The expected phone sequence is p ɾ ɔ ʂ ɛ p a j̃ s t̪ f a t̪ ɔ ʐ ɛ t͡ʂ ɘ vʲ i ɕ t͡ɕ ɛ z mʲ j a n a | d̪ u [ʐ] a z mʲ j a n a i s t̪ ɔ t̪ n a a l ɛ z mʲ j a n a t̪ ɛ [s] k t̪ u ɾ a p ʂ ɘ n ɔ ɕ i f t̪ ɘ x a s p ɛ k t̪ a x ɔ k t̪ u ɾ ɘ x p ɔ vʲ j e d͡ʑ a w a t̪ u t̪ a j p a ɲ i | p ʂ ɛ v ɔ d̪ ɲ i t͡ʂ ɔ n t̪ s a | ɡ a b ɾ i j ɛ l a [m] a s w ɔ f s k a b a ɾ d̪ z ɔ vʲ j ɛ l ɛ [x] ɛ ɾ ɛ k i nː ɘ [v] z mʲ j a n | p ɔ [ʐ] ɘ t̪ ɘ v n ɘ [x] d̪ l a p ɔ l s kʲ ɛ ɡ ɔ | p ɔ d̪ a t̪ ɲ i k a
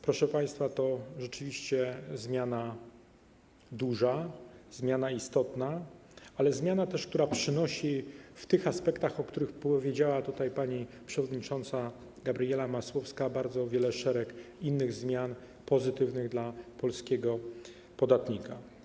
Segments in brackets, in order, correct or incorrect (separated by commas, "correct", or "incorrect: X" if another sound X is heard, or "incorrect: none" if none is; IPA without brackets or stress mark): correct, incorrect: ʂ, correct, incorrect: ʂ, incorrect: ɣ, incorrect: z, incorrect: ɣ